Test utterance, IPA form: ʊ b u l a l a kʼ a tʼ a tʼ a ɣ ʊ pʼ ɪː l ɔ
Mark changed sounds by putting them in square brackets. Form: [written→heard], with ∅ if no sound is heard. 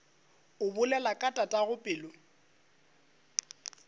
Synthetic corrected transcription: ʊ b [u→ʊ] l [a→ɛ] l a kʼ a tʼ a tʼ a ɣ ʊ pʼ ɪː l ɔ